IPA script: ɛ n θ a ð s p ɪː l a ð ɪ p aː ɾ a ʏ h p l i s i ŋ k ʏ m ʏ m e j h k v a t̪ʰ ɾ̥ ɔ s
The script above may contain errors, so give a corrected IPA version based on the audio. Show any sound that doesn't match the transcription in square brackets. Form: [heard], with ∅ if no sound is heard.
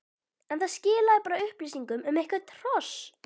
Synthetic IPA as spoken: ɛ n θ a ð s [c] ɪː l a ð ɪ p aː ɾ a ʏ h p l i s i ŋ k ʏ m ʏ m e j h k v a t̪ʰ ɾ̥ ɔ s